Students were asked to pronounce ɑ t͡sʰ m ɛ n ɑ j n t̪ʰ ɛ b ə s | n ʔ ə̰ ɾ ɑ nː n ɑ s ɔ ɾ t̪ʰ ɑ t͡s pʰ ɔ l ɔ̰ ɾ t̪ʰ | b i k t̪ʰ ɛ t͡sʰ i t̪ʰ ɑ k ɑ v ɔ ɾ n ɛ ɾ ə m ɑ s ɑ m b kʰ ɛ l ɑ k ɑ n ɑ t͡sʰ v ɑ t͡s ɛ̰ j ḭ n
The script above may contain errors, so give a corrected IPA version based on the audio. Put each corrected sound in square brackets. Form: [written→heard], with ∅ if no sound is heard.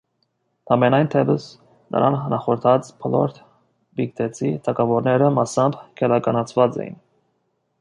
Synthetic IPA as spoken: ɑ [t͡sʰ→∅] m ɛ n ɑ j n t̪ʰ ɛ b ə s | n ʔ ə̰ ɾ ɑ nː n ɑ [s→χ] ɔ ɾ t̪ʰ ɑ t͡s pʰ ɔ l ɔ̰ ɾ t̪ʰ | b i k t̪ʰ ɛ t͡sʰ i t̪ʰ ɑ k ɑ v ɔ ɾ n ɛ ɾ ə m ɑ s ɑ m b kʰ ɛ l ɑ k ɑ n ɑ t͡sʰ v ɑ t͡s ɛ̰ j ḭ n